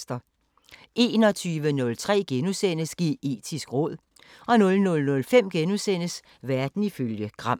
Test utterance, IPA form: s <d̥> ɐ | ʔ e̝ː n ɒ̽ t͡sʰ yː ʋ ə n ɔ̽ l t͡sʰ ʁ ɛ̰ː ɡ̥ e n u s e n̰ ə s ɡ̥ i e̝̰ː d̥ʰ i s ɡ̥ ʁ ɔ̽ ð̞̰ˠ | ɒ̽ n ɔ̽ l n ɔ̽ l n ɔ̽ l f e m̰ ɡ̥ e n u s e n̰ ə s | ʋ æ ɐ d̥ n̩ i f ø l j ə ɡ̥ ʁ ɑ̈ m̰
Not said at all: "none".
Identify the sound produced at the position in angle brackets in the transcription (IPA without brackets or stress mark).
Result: d̥